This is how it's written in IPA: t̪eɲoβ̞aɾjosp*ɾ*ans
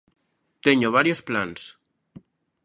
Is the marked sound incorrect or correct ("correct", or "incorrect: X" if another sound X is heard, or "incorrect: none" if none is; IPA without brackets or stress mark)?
incorrect: l